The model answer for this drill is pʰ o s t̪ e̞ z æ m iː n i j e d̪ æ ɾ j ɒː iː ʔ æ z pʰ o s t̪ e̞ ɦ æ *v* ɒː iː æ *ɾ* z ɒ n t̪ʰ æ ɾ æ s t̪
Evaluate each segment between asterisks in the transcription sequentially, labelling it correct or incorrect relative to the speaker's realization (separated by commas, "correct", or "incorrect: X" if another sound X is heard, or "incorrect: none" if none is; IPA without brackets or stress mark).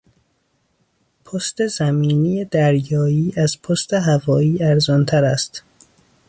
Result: correct, correct